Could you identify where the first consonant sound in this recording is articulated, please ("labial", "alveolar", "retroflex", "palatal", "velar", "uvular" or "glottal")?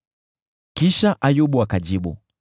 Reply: velar